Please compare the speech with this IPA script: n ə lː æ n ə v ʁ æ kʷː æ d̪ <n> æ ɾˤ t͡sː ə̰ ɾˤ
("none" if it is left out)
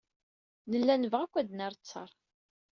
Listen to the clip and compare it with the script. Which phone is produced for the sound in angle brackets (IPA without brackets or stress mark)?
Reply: n